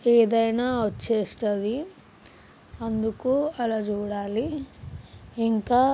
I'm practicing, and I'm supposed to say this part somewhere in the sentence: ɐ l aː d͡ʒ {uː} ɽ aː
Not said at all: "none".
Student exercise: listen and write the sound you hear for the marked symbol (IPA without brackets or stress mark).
uː